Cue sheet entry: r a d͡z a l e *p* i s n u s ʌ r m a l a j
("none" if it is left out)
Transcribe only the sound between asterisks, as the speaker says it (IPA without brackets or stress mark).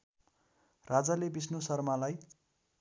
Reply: b